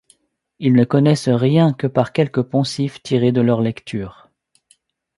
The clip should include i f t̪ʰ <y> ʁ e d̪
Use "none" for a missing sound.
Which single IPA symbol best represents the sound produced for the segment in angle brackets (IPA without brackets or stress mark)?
i